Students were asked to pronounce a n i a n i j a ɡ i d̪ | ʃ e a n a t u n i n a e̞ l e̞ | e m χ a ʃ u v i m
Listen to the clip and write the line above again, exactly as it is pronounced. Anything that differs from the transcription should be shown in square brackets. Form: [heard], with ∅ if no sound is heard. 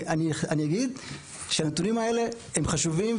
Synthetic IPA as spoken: a n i a n i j a ɡ i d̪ | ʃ e a n [e] t u n i [m] a e̞ l e̞ | e m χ a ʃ u v i m